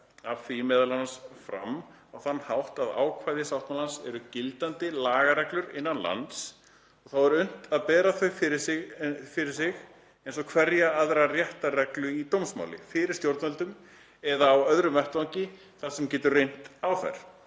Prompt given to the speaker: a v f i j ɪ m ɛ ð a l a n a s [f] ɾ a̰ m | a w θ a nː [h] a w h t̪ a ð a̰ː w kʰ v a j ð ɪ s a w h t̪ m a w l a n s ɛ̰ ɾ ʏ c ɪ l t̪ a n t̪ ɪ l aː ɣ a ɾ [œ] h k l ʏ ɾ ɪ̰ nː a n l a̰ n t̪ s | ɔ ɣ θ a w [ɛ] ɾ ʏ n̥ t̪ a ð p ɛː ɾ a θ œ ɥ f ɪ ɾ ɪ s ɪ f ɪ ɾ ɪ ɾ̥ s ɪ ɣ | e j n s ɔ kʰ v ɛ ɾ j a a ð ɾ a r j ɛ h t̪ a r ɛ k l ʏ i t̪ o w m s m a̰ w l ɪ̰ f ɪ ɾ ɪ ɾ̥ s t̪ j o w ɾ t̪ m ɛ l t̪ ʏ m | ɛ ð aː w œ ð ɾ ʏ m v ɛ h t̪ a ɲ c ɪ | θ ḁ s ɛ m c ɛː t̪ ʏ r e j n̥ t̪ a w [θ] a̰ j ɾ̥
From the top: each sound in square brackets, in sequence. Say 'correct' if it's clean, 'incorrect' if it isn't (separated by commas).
correct, correct, incorrect, correct, correct